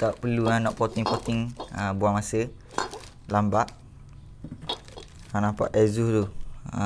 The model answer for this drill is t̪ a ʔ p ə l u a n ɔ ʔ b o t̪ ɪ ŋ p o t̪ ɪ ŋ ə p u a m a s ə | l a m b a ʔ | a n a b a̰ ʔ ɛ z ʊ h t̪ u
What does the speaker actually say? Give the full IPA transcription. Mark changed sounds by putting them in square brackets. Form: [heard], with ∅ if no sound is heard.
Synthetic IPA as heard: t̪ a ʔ p ə l u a n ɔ ʔ [p] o t̪ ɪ ŋ p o t̪ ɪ ŋ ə [b] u a m a s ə | l a m b a ʔ | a n a [p] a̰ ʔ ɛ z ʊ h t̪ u